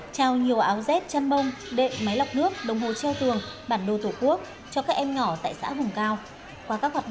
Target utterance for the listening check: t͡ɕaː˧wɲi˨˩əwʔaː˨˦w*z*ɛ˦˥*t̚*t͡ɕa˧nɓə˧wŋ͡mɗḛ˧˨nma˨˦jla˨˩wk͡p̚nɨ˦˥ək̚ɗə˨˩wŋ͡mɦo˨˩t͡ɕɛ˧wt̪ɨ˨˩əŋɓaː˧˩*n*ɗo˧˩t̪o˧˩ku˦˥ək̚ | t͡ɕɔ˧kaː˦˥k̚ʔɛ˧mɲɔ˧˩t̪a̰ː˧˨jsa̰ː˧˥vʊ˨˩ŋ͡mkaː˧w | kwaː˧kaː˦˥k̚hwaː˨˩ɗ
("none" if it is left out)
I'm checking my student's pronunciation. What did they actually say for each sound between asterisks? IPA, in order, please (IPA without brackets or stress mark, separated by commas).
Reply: z, t̚, n